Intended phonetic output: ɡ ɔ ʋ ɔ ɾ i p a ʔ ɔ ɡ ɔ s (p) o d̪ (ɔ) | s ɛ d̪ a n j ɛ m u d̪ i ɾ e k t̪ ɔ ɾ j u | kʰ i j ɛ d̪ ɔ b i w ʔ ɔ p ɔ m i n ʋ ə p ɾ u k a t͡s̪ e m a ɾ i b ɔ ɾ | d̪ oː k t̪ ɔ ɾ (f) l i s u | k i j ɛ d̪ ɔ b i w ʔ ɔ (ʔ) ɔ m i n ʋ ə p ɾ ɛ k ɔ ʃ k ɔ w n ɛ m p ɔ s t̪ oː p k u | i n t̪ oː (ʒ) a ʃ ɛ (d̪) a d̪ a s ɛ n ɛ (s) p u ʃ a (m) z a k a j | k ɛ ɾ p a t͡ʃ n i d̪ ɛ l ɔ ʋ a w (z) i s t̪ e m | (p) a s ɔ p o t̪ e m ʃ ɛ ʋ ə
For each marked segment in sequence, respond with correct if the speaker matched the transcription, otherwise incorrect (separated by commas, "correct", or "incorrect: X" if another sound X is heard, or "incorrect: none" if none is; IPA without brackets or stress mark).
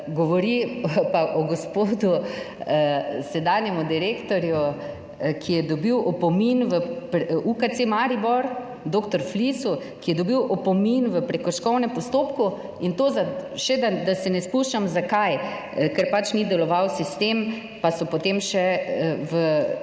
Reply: correct, incorrect: u, correct, incorrect: p, incorrect: z, correct, correct, correct, incorrect: s, correct